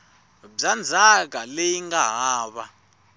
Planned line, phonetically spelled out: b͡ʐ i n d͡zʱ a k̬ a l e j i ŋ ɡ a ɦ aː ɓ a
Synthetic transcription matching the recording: b͡ʐ a n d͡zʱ a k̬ a l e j i ŋ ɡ a ɦ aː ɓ a